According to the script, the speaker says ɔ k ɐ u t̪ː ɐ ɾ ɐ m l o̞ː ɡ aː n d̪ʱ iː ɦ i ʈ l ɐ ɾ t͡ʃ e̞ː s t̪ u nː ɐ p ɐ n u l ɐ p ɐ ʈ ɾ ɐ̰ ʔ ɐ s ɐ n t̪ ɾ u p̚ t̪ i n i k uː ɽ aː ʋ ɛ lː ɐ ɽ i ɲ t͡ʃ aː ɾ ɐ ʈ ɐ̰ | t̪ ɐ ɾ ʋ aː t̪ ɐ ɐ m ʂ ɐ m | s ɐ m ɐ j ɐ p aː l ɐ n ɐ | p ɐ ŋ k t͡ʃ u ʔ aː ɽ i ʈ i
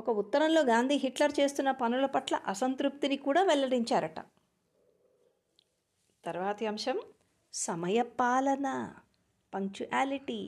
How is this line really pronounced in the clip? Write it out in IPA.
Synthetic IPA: ɔ k ɐ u t̪ː ɐ ɾ ɐ m l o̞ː ɡ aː n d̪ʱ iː ɦ i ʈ l ɐ ɾ t͡ʃ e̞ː s t̪ u nː ɐ p ɐ n u l ɐ p ɐ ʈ l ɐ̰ ʔ ɐ s ɐ n t̪ ɾ u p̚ t̪ i n i k uː ɽ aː ʋ ɛ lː ɐ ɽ i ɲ t͡ʃ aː ɾ ɐ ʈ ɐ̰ | t̪ ɐ ɾ ʋ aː t̪ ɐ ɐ m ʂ ɐ m | s ɐ m ɐ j ɐ p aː l ɐ n ɐ | p ɐ ŋ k t͡ʃ u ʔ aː l i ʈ i